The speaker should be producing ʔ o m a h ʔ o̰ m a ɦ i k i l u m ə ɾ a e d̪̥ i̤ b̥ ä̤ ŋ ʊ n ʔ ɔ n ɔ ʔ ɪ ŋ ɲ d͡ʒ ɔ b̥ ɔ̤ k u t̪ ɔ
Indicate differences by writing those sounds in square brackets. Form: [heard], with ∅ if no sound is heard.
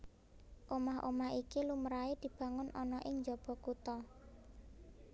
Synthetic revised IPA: ʔ o m a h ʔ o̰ m a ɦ i k i l u m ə ɾ a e d̪̥ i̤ b̥ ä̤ ŋ ʊ n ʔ ɔ n ɔ ʔ ɪ ŋ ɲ d͡ʒ ɔ b̥ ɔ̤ k u t̪ ɔ